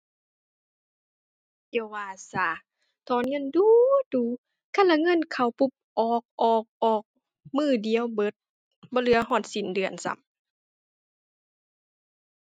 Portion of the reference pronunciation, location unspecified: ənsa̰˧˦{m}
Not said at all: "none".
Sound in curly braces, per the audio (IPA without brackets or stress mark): m